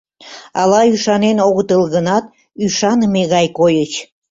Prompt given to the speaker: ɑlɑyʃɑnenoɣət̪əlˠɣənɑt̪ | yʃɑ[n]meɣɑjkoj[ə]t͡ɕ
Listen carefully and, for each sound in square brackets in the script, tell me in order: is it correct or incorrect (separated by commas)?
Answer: correct, correct